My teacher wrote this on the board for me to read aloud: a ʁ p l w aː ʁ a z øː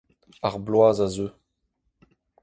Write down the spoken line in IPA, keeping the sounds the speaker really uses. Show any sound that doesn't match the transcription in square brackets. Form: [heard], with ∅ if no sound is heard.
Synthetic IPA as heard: a ʁ [b] l w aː [z] a z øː

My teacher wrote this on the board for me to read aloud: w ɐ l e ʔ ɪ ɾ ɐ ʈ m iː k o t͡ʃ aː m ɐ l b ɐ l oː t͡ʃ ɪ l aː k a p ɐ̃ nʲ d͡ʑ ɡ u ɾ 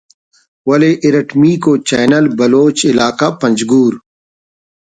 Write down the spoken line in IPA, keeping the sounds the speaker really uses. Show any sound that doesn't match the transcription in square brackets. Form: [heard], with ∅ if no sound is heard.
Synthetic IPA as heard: w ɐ l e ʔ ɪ ɾ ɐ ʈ m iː k o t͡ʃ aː [n] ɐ l b ɐ l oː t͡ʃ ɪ l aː k a p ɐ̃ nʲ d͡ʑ ɡ [uː] ɾ

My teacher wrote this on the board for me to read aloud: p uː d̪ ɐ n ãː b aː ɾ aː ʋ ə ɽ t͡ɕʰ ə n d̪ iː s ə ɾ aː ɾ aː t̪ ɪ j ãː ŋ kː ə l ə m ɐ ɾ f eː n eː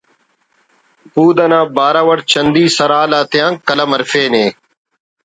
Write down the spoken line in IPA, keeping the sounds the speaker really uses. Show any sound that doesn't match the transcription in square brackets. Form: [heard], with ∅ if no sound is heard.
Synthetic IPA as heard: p uː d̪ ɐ n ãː b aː ɾ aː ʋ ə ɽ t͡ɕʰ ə n d̪ iː s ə ɾ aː [l] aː t̪ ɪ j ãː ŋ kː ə l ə m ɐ ɾ f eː n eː

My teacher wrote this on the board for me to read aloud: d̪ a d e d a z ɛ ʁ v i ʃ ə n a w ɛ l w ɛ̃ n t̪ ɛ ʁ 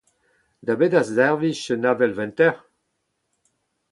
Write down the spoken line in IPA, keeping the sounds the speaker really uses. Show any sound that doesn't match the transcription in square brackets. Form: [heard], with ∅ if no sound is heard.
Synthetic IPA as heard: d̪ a [b] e d a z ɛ ʁ v i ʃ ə n a [v] ɛ l [v] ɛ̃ n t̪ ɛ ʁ

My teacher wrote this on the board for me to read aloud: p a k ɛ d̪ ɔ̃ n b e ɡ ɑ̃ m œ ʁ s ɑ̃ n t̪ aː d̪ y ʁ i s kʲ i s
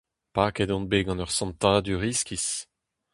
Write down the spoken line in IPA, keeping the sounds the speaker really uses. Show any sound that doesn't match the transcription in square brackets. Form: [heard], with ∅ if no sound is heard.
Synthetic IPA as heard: p a k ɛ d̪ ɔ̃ n b e ɡ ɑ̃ [n] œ ʁ s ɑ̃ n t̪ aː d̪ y ʁ i s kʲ i s

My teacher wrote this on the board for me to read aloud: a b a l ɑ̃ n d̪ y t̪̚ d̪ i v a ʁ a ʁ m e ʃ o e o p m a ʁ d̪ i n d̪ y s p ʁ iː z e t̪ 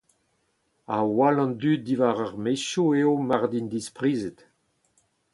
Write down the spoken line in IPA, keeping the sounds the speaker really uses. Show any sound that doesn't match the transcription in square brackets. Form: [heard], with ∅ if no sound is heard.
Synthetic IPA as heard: a [w] a l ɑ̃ n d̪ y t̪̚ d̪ i v a ʁ a ʁ m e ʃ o e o [∅] m a ʁ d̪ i n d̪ [i] s p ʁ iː z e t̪

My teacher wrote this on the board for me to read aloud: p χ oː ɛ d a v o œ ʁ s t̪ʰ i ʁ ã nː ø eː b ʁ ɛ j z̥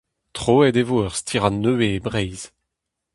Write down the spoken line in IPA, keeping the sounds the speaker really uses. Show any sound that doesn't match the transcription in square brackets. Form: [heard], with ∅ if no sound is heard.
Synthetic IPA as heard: [t] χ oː ɛ d [e] v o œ ʁ s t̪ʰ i ʁ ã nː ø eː b ʁ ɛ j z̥

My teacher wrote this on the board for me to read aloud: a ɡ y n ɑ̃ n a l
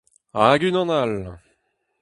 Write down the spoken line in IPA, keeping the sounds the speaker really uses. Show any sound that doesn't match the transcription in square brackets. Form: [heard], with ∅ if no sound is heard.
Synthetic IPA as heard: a ɡ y n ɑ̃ n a l

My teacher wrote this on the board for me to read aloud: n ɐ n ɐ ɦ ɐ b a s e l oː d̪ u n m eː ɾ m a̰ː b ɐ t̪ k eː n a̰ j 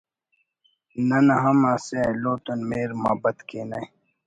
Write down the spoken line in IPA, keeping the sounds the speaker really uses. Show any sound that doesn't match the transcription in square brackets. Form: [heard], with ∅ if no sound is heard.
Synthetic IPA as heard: n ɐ n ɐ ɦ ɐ [m] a s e l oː [t̪] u n m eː ɾ m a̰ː b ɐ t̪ k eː n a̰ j

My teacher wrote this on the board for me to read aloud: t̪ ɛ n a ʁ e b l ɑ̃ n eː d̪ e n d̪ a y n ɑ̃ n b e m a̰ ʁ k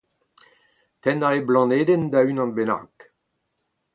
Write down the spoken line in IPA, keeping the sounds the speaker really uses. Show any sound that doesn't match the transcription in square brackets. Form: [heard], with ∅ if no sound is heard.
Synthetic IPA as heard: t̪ ɛ n a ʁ e b l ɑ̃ n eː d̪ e n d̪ a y n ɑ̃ n b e [n] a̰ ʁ k

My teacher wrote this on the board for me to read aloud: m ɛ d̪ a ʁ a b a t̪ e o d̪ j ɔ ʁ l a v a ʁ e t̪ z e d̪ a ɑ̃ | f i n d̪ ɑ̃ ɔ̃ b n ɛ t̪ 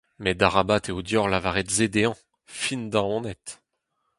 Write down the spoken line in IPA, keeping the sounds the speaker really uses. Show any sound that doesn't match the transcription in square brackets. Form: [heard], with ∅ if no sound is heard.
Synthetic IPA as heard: m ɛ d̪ a ʁ a b a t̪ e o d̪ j ɔ ʁ l a v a ʁ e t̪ z e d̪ [e] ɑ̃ | f i n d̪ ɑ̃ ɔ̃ [∅] n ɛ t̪

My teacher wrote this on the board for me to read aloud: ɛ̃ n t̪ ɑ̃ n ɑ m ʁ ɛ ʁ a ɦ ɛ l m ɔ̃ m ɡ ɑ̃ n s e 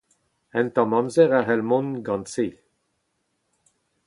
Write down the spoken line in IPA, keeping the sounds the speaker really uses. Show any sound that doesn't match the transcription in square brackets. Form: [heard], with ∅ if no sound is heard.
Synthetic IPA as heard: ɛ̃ n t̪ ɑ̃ [m] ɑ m [z] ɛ ʁ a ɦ ɛ l m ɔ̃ [n] ɡ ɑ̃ n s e

